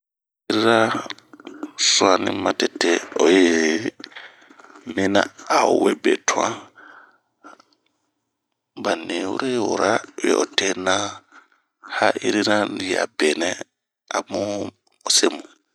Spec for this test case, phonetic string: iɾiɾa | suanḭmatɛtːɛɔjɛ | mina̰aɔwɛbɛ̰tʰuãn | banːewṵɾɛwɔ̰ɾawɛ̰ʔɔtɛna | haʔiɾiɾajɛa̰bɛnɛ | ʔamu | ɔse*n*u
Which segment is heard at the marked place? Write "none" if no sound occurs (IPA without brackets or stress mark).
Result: m